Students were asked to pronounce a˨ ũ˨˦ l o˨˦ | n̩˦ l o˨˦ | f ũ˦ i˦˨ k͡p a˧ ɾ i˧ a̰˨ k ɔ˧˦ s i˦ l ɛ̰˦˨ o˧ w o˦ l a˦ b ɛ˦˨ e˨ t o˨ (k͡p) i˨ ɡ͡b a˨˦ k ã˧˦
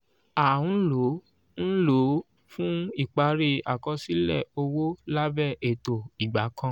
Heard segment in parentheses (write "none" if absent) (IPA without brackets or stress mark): none